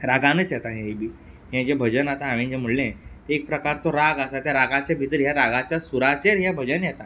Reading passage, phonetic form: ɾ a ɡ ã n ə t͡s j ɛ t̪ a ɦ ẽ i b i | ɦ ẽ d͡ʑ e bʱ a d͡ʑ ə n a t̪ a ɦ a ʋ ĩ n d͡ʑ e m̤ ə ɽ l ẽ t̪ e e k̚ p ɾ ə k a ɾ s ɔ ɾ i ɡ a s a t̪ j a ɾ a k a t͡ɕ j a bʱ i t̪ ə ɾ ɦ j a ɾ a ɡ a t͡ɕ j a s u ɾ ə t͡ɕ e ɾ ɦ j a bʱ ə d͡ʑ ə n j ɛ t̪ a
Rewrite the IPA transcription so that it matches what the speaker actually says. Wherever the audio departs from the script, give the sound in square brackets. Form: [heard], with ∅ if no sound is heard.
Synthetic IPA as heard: ɾ a ɡ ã n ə t͡s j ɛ t̪ a ɦ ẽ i b i | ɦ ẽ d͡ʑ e bʱ [ə] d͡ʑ ə n a t̪ a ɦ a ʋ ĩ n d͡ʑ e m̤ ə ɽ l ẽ t̪ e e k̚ p ɾ ə k a ɾ [t͡s] ɔ ɾ [a] ɡ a s a t̪ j a ɾ a [ɡ] a t͡ɕ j a bʱ i t̪ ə ɾ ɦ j a ɾ a ɡ a t͡ɕ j a s u ɾ [a] t͡ɕ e ɾ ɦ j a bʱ ə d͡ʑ ə n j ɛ t̪ a